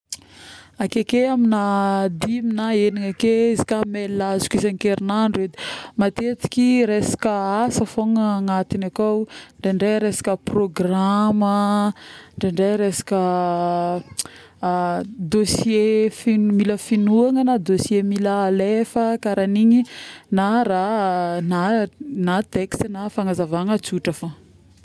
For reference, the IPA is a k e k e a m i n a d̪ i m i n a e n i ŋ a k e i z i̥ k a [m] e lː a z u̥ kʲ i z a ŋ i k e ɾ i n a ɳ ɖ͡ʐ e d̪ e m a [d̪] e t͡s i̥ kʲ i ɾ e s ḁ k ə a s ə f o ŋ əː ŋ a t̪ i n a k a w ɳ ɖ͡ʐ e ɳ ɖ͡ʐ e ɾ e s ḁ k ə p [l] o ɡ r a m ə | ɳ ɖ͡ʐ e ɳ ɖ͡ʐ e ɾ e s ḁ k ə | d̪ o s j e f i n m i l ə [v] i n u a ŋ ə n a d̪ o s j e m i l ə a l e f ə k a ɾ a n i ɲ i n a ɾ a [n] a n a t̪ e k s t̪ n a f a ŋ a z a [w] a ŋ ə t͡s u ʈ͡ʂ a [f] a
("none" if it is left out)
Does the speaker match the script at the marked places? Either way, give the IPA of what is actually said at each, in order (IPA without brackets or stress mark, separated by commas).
m, t̪, r, f, n, v, f